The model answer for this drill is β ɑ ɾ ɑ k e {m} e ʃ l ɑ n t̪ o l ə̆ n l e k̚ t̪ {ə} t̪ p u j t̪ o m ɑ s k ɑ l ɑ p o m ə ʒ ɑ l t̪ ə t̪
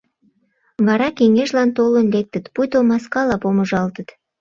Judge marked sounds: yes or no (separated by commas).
no, yes